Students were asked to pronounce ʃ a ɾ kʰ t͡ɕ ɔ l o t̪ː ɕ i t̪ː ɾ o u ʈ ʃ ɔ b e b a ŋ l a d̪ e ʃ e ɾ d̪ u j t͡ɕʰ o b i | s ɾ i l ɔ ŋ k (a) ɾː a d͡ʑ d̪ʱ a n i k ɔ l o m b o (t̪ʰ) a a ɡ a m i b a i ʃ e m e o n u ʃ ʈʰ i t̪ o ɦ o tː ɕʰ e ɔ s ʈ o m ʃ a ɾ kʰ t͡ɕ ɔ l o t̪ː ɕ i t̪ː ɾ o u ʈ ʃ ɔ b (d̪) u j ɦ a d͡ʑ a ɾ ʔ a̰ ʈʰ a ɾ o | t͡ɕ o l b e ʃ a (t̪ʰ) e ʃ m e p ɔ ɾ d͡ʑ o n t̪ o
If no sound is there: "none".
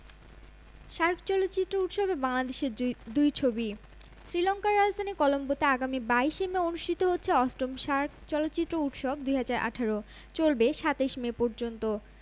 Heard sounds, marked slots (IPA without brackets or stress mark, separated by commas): a, t̪, d̪, t̪